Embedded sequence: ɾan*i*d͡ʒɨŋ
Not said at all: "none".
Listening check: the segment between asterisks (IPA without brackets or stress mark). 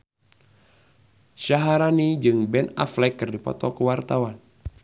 i